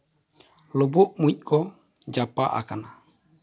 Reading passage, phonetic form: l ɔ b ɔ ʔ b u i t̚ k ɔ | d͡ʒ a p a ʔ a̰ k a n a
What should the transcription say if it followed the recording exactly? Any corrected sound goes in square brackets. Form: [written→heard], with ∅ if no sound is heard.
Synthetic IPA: l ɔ b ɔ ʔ [b→m] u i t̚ k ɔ | d͡ʒ a p a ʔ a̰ k a n a